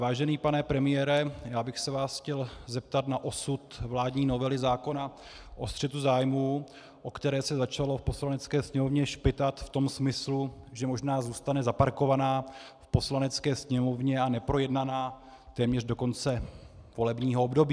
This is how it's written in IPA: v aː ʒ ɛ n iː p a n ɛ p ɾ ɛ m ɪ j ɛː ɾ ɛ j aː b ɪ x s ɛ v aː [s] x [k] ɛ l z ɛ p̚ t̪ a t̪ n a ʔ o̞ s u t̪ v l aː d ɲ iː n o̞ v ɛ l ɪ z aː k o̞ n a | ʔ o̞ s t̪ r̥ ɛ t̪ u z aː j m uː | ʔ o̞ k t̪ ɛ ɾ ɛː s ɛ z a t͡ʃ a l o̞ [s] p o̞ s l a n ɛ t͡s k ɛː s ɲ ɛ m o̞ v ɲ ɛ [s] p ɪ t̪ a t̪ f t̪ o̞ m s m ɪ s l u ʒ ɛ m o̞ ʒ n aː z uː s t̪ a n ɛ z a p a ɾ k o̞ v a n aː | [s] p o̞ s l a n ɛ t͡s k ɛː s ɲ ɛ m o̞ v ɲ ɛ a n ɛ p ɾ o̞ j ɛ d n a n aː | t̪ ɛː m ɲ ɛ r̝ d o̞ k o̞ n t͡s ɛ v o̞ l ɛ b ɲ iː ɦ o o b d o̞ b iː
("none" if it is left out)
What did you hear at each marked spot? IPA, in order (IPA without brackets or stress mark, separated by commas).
s, c, f, ʃ, f